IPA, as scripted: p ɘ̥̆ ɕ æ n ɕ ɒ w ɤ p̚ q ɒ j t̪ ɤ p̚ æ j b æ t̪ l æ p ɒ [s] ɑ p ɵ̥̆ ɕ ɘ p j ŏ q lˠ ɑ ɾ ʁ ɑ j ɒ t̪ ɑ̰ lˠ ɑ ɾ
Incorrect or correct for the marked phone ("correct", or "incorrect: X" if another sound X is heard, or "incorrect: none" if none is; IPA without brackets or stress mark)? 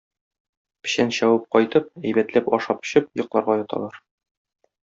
incorrect: ʃ